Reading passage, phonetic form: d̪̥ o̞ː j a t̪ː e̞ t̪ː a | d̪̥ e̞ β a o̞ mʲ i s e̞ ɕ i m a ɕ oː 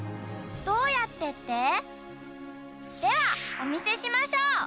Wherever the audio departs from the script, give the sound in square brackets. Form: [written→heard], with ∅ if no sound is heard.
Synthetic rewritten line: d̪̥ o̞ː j a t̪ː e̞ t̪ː [a→e] | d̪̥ e̞ β a o̞ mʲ i s e̞ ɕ i m a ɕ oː